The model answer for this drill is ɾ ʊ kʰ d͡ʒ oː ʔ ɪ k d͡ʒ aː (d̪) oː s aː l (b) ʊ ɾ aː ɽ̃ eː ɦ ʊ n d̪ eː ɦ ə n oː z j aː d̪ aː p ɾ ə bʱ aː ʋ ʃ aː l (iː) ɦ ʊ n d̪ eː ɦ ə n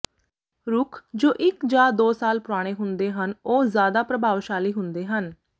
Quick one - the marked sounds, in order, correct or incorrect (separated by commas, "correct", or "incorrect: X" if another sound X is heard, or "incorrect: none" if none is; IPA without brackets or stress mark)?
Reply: correct, incorrect: p, correct